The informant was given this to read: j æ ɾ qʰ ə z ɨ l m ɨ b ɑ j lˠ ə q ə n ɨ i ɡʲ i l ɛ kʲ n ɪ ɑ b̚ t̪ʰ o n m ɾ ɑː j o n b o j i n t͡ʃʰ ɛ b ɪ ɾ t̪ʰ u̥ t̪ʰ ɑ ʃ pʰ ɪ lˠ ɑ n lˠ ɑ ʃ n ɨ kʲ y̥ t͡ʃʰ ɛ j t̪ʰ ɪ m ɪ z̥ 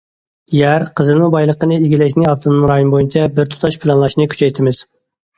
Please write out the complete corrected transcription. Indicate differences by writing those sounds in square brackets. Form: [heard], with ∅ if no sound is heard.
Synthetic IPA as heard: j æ ɾ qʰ ə z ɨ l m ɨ b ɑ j lˠ ə q ə n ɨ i ɡʲ i l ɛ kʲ n ɪ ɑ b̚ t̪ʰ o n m ɾ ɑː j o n b o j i n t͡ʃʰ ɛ b ɪ ɾ t̪ʰ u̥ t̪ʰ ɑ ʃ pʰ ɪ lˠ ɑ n lˠ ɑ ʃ n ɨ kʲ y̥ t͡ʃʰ ɛ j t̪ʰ ɪ m ɪ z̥